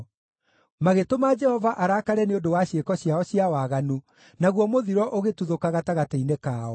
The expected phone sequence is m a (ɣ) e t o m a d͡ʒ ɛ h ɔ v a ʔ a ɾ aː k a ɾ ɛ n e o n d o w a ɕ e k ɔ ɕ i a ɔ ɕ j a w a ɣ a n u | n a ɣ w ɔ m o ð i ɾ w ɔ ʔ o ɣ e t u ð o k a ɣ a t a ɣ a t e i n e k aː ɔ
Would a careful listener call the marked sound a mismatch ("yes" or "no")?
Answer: no